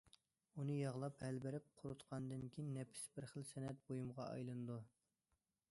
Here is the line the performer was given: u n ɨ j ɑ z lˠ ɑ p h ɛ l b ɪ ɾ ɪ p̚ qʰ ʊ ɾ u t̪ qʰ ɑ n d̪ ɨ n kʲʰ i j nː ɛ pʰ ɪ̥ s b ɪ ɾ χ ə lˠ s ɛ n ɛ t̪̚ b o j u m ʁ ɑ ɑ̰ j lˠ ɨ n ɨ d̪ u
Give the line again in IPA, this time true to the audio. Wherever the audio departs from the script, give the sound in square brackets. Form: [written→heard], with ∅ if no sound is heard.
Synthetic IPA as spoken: u n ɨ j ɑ [z→ʁ] lˠ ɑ p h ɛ l b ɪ ɾ ɪ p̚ qʰ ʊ ɾ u t̪ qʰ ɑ n d̪ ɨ n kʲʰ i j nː ɛ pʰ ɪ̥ s b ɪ ɾ χ ə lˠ s ɛ n ɛ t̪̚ b o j u m ʁ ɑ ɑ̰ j lˠ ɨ n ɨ d̪ u